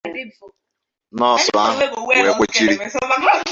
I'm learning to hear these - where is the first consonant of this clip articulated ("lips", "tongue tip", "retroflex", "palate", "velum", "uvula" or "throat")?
tongue tip